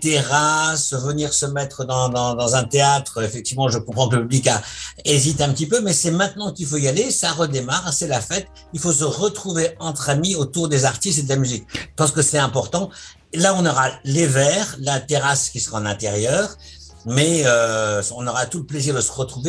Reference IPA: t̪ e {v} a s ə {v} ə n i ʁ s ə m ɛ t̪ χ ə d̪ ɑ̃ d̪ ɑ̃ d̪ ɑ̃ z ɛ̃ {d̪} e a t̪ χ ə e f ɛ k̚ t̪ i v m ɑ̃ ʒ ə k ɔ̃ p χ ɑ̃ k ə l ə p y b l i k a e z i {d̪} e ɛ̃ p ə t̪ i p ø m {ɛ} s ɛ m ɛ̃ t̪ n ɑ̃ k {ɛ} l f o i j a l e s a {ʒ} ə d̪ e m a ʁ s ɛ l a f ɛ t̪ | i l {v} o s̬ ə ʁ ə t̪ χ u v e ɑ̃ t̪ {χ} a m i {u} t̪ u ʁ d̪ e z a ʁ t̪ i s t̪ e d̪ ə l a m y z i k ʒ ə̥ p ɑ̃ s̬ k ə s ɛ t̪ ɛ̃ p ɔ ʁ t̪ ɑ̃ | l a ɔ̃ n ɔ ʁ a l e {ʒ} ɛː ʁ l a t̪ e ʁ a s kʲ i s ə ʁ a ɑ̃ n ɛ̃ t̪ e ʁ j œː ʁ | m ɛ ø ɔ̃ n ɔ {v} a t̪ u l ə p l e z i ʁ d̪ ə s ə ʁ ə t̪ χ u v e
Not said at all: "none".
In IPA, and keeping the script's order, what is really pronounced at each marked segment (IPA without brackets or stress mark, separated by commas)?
ʁ, v, t̪, t̪, ɛ, i, ʁ, f, χ, o, v, ʁ